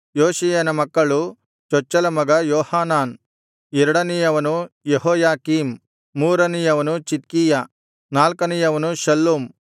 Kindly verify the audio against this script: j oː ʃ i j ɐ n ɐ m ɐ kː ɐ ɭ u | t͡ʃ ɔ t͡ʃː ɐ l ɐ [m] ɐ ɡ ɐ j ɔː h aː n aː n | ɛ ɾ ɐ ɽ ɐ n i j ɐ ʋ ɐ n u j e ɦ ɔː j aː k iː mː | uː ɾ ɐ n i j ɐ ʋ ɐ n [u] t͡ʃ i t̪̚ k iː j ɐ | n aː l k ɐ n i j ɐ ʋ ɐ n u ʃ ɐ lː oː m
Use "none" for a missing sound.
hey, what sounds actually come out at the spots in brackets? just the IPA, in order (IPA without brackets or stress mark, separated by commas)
m, u